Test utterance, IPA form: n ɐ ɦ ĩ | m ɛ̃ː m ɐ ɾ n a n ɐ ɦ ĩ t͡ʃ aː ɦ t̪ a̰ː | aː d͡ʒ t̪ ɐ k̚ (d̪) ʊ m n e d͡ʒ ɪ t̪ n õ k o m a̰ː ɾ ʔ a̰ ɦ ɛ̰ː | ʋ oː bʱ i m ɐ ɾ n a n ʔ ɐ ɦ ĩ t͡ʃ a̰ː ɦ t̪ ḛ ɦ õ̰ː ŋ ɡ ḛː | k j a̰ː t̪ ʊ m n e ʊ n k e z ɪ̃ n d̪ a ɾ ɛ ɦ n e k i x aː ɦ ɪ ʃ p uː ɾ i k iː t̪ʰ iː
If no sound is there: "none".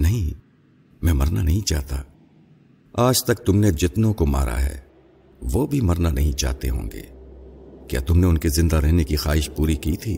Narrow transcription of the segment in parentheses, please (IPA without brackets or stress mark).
t̪